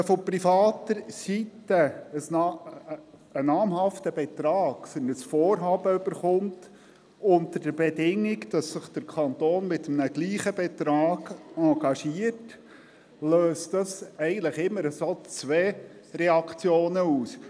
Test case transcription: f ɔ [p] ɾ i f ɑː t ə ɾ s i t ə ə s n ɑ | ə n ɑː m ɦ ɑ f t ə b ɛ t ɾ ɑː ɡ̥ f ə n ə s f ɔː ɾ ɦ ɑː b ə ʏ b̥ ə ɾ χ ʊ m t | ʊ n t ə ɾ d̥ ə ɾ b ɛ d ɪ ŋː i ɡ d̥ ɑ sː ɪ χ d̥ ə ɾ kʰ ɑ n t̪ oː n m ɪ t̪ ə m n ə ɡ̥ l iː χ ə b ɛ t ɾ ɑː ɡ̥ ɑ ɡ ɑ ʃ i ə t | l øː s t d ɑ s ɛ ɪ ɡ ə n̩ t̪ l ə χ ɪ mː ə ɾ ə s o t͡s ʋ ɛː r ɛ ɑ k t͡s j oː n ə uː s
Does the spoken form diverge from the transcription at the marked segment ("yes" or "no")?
no